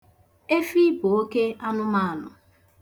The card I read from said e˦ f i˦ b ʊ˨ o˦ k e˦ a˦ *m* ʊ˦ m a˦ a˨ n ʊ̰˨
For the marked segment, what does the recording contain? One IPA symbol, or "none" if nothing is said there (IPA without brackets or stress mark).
n